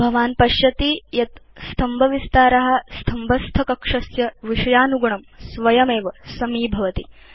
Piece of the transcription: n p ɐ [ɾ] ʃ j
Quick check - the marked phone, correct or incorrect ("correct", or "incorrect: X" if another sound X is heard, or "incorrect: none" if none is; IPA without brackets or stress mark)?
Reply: incorrect: none